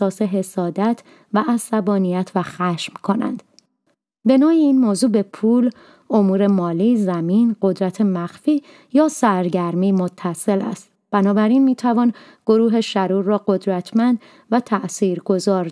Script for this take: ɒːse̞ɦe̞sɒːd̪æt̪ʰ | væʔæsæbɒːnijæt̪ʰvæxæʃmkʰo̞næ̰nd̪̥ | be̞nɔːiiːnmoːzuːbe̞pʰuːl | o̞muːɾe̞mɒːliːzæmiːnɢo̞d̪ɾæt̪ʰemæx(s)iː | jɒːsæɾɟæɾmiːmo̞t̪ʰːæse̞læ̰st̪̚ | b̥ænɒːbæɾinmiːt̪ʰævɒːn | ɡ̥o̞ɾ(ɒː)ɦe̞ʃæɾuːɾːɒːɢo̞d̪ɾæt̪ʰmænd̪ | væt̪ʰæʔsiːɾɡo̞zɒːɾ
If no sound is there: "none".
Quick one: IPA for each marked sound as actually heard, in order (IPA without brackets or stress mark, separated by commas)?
f, uː